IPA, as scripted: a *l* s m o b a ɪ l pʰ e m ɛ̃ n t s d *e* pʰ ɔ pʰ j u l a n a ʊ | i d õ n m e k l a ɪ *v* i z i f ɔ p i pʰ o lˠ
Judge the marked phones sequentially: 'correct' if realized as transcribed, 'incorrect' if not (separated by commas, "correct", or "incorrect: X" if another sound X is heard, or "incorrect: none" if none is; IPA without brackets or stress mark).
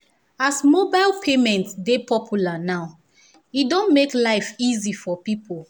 incorrect: none, correct, incorrect: f